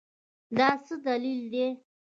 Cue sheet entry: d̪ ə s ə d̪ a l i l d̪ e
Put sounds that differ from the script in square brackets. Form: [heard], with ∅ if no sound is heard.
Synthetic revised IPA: d̪ [ɑ] s ə d̪ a l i l d̪ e